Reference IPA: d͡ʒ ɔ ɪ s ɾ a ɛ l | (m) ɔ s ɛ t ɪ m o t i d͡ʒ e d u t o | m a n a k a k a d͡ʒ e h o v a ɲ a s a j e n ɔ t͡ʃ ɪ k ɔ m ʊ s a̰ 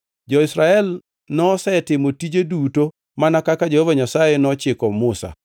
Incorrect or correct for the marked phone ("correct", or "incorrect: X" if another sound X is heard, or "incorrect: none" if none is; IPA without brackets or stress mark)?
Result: incorrect: n